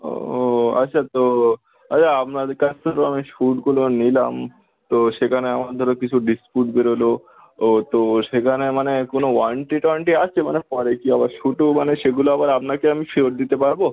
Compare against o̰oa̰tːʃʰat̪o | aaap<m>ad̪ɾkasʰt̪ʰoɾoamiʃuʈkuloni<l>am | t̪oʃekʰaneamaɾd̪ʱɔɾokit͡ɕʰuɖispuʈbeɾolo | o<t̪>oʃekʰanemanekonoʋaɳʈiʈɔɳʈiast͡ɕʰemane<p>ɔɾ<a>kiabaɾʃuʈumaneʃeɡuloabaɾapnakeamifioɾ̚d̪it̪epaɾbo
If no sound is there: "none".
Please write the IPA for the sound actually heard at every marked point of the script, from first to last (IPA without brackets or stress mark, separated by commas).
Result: n, l, t̪, p, e